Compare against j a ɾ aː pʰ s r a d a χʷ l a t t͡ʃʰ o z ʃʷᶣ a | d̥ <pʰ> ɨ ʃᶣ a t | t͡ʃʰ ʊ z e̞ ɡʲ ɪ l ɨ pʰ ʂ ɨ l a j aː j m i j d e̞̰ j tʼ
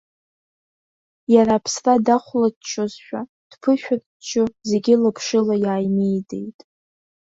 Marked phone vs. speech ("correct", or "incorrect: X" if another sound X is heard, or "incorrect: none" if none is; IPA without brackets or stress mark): correct